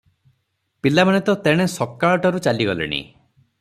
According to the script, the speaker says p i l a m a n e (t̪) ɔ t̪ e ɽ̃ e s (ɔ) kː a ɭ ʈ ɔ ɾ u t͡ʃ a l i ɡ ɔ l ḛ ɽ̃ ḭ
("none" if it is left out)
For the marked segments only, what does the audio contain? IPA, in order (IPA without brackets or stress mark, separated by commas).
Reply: t̪, ɔ